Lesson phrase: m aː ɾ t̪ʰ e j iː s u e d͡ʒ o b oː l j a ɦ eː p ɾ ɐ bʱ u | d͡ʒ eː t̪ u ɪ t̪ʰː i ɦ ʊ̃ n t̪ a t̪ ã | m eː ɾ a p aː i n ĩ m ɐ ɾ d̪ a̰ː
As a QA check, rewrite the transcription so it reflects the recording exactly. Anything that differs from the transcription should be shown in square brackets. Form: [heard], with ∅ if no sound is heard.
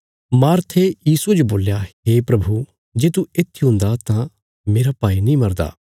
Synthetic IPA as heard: m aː ɾ t̪ʰ e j iː s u e d͡ʒ o b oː l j a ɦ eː p ɾ ɐ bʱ u | d͡ʒ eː t̪ u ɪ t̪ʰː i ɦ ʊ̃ n [d̪] a t̪ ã | m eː ɾ a p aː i n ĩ m ɐ ɾ d̪ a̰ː